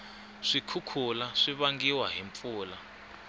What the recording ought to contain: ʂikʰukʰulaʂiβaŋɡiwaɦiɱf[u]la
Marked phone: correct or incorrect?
incorrect